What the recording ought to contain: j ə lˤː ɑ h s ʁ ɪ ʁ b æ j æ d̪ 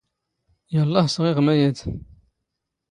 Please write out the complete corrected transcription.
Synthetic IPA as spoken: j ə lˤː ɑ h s ʁ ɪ ʁ m æ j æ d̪

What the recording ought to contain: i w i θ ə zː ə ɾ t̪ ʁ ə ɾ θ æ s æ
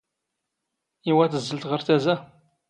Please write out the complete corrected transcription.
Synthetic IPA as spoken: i w æ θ ə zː ə l t̪ ʁ ə ɾ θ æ z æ

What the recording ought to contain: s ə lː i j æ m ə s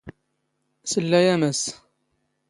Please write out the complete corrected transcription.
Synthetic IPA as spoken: s ə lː æ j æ m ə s

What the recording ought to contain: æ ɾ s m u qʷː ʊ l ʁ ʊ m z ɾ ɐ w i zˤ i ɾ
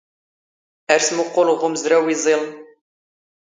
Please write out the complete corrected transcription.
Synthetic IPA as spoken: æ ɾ s m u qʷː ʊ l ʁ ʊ m z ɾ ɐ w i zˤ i l

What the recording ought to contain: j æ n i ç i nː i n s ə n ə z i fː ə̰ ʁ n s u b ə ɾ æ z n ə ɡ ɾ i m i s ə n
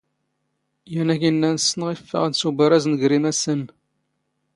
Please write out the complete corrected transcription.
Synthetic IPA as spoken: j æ n æ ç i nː æ n s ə n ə ʁ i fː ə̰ ʁ n s u b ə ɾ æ z n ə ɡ ɾ i m æ s ə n

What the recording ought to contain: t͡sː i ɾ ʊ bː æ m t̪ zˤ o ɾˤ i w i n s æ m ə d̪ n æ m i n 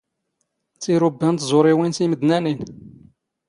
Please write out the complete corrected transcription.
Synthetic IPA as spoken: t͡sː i ɾ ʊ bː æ n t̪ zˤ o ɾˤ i w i n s i m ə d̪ n æ n i n

